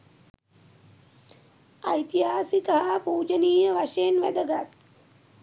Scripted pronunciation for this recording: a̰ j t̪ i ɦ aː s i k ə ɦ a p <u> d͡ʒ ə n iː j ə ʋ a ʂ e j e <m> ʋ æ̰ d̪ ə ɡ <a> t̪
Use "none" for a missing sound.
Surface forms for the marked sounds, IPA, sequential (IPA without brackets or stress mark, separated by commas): uː, n, a